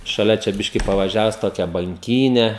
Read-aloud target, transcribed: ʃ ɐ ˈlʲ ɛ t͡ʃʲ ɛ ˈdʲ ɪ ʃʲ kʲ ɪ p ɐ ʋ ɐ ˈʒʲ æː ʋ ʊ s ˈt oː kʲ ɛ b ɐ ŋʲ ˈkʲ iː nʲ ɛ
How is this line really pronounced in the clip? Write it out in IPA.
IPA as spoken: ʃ ɐ ˈlʲ ɛ t͡ʃʲ ɛ ˈbʲ ɪ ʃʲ kʲ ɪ p ɐ ʋ ɐ ˈʒʲ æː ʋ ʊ s ˈt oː kʲ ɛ b ɐ ŋʲ ˈkʲ iː nʲ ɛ